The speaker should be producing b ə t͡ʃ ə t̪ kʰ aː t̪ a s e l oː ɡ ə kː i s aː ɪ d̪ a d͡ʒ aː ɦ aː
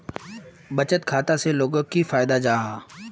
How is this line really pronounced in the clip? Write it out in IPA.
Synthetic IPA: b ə t͡ʃ ə t̪ kʰ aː t̪ a s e l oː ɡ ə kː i f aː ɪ d̪ a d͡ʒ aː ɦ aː